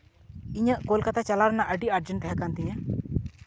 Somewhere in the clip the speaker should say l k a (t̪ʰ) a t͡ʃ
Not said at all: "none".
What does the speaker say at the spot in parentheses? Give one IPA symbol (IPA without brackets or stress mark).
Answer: t̪